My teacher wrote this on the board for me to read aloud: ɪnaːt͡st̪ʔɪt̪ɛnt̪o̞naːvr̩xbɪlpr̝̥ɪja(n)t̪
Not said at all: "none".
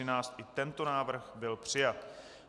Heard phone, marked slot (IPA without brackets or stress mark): none